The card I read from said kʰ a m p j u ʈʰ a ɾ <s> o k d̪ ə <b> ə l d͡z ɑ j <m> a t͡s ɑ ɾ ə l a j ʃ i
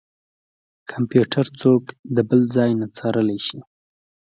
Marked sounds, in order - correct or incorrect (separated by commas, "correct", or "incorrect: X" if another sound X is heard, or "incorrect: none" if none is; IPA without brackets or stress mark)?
incorrect: t͡s, correct, incorrect: n